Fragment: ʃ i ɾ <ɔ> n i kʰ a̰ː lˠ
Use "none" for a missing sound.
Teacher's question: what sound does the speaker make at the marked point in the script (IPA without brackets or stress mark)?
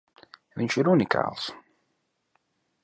u